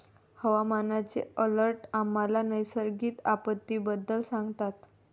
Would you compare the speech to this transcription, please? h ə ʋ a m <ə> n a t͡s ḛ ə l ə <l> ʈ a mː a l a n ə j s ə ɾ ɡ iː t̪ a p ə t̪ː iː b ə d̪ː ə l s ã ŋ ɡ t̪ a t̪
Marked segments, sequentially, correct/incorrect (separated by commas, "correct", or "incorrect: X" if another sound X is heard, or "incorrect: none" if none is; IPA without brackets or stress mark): incorrect: a, incorrect: ɾ